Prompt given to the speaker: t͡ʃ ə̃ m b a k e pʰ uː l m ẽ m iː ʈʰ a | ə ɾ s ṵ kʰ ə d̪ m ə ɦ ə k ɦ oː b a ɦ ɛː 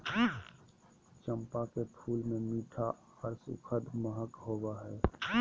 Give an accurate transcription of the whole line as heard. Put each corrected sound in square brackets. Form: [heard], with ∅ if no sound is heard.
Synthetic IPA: t͡ʃ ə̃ m [p] a k e pʰ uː l m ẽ m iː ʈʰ a | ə ɾ s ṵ kʰ ə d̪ m ə ɦ ə k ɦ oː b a ɦ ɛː